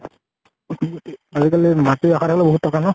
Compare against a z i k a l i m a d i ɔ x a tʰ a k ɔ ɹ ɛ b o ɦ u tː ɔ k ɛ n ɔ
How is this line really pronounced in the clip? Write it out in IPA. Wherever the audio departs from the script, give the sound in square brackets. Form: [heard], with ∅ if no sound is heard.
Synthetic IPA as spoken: a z i k a l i m a [t] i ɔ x a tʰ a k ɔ [l] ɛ b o ɦ u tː ɔ k [a] n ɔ